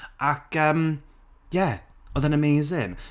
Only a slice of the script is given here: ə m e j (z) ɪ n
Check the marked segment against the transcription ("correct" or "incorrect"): correct